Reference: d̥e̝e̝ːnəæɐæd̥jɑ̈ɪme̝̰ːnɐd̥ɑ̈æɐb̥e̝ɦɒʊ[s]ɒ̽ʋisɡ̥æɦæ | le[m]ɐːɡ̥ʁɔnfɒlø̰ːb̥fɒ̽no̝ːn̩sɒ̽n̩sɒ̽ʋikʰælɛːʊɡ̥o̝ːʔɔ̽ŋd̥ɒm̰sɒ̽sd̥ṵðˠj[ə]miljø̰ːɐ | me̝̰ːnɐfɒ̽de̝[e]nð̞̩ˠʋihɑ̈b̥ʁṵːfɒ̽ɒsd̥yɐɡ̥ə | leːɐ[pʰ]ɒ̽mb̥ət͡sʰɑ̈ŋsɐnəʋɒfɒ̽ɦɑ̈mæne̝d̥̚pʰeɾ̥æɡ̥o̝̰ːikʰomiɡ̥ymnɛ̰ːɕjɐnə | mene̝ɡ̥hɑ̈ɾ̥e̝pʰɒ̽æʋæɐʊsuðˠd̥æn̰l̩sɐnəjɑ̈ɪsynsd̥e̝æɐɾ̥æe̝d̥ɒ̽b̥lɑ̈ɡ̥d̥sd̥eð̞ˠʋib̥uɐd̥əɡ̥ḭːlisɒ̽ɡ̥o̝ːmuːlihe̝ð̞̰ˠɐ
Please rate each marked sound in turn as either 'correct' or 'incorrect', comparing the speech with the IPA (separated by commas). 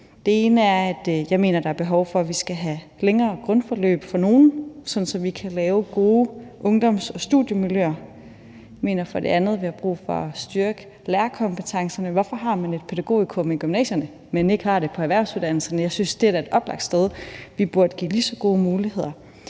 incorrect, incorrect, correct, incorrect, incorrect